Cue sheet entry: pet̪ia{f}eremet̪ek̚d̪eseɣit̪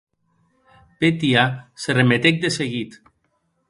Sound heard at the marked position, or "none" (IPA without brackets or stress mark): s